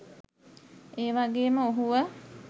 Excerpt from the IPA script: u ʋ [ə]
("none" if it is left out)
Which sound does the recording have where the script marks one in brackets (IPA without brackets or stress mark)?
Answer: ə